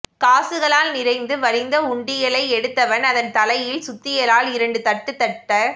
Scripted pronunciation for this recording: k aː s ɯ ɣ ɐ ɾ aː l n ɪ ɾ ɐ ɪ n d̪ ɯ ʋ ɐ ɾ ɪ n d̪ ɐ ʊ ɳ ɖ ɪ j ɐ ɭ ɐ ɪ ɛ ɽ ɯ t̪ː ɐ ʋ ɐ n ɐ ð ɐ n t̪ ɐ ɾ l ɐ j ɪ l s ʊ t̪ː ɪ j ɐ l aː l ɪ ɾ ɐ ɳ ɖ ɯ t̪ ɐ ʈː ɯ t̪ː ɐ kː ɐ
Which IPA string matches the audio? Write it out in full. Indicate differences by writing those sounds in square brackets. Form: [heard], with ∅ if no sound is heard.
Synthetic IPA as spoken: k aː s ɯ ɣ ɐ [ɭ] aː l n ɪ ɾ ɐ ɪ n d̪ ɯ ʋ ɐ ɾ ɪ n d̪ ɐ ʊ ɳ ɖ ɪ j ɐ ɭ ɐ ɪ ɛ ɽ ɯ t̪ː ɐ ʋ ɐ n ɐ ð ɐ n t̪ ɐ [∅] l ɐ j ɪ l s ʊ t̪ː ɪ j ɐ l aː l ɪ ɾ ɐ ɳ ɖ ɯ t̪ ɐ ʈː ɯ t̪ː ɐ [ʈː] ɐ